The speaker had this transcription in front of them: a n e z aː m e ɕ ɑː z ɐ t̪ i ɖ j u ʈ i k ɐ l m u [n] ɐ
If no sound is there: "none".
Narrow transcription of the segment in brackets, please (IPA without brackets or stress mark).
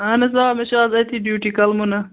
n